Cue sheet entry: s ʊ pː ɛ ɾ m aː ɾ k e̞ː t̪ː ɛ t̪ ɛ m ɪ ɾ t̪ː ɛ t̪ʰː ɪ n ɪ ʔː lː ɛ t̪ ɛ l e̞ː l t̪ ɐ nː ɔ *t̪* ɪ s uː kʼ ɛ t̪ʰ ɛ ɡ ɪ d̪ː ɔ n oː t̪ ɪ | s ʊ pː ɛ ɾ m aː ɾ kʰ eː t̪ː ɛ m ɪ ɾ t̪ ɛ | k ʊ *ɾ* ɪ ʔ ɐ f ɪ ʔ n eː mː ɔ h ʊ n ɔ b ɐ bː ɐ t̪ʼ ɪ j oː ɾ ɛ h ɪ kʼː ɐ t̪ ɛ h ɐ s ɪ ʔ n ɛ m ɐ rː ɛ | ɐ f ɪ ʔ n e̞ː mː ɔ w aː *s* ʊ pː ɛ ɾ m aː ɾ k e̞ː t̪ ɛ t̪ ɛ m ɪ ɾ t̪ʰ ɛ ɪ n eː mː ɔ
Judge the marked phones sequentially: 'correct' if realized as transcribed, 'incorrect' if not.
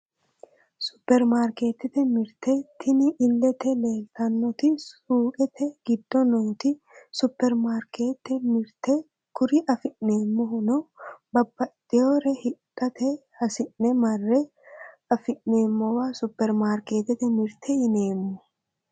correct, correct, correct

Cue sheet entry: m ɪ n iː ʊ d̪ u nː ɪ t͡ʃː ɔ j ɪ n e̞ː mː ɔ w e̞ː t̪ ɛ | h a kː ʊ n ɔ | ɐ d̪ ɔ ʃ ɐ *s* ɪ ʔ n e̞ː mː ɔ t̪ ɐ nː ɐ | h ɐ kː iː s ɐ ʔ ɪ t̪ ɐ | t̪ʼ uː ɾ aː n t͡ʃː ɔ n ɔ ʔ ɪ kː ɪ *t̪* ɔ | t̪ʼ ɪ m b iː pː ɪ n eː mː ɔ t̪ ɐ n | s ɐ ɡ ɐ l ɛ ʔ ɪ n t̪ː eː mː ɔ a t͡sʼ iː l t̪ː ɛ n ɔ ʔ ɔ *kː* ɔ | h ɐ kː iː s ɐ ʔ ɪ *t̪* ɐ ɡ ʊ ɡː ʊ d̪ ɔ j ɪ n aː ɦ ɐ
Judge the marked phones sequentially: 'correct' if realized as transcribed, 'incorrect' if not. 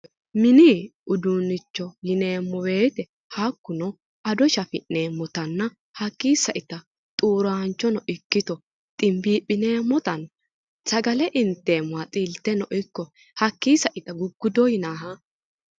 incorrect, correct, correct, correct

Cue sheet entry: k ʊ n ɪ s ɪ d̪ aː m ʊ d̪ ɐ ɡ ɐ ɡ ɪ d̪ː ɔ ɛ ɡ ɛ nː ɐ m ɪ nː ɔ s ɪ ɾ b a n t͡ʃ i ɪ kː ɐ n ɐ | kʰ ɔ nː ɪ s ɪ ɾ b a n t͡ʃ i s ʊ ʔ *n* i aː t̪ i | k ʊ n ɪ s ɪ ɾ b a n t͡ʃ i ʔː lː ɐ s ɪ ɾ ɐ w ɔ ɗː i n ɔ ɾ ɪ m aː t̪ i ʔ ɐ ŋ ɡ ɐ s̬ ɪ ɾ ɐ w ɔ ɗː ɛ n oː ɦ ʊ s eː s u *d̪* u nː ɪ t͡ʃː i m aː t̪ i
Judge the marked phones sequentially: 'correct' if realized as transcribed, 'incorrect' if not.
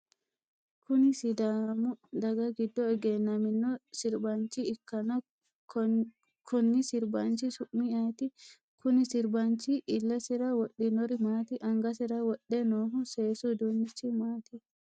incorrect, correct

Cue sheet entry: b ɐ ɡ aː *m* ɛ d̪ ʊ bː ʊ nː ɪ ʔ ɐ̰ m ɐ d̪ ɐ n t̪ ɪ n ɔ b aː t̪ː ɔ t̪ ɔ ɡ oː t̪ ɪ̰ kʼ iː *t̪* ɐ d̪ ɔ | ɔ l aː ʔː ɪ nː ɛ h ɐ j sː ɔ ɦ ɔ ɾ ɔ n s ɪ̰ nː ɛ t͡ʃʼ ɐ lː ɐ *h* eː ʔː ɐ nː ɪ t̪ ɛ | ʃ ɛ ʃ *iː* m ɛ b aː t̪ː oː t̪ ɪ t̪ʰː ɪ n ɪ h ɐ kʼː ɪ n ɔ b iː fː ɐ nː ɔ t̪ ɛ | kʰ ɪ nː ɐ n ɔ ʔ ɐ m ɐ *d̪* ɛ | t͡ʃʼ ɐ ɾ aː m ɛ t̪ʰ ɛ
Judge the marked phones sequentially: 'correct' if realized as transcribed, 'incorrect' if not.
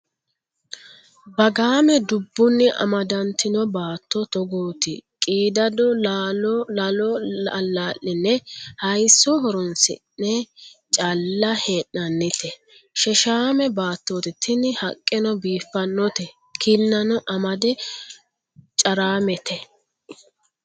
correct, incorrect, correct, incorrect, correct

